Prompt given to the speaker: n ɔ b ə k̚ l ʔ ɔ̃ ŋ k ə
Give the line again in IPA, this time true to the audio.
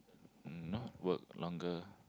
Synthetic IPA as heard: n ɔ w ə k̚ l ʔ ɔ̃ ŋ ɡ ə